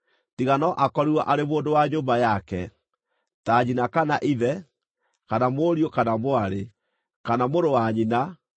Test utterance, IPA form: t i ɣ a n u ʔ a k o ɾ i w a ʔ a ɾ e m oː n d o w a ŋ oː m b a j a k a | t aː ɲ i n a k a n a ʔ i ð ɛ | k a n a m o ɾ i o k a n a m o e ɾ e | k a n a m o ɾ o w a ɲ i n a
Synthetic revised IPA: t i ɣ a n ɔ ʔ a k ɔ ɾ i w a ʔ a ɾ e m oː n d o w a ɲ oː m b a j a k ɛ | t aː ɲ i n a k a n a ʔ i ð ɛ | k a n a m o ɾ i o k a n a m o a ɾ e | k a n a m o ɾ o w a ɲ i n a